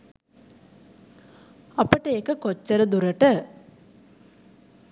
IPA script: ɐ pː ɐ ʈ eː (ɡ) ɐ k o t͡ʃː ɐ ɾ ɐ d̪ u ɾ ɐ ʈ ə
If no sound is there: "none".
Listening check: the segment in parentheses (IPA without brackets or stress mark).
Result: k